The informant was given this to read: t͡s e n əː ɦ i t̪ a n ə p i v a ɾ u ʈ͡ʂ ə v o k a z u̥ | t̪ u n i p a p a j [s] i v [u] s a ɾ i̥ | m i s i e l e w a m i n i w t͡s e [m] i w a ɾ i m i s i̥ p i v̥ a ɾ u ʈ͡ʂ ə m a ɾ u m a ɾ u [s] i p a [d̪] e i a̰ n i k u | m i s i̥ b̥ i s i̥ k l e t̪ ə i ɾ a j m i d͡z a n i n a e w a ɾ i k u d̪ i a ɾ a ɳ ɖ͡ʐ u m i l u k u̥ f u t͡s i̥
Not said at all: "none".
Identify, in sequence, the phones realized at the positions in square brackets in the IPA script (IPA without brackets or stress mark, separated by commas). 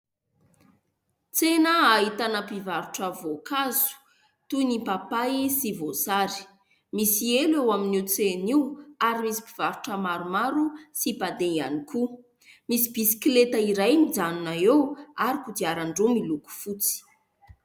s, o, n, s, d̪